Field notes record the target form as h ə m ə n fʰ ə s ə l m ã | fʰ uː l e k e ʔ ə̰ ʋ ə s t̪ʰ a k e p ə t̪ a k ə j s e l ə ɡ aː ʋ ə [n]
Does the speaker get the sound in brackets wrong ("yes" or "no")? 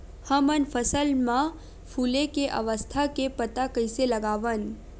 no